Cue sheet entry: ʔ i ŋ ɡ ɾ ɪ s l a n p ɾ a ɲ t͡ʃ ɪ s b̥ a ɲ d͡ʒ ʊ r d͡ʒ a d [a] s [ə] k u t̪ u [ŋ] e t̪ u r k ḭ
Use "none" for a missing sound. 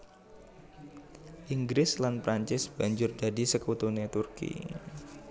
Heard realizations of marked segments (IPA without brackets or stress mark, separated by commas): i, ə, n